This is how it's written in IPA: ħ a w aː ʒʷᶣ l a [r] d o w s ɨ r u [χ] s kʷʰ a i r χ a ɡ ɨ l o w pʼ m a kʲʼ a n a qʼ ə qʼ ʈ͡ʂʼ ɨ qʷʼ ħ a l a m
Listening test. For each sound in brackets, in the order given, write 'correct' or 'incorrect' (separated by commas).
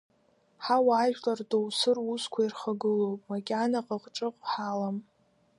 correct, incorrect